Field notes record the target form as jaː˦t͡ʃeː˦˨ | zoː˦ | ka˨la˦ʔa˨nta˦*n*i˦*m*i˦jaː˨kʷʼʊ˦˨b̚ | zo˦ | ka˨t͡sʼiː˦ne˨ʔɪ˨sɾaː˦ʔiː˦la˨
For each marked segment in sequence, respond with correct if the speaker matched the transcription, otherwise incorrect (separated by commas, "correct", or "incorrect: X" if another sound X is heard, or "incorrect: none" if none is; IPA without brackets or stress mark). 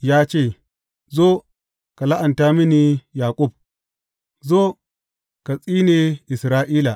incorrect: m, incorrect: n